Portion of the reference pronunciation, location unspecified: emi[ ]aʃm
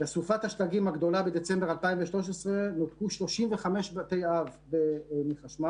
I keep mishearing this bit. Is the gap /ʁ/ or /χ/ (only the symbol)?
χ